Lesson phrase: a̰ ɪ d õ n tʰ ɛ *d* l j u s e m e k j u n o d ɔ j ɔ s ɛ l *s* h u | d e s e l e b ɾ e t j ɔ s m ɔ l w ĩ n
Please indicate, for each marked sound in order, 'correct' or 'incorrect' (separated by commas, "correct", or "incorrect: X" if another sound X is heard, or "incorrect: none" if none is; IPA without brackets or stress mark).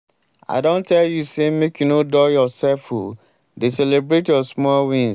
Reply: incorrect: none, incorrect: f